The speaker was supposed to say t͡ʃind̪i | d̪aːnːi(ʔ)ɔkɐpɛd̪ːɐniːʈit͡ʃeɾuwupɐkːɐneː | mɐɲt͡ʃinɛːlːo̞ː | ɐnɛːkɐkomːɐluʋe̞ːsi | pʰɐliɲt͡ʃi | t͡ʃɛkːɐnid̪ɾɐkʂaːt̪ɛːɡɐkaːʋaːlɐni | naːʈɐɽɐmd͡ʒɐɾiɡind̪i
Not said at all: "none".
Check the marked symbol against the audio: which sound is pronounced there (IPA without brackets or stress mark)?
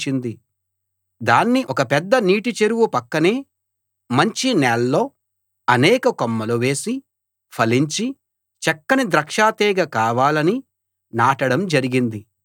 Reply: ʔ